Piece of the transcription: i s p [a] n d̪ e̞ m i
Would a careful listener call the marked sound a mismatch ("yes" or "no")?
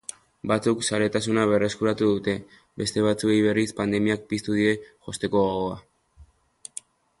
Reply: no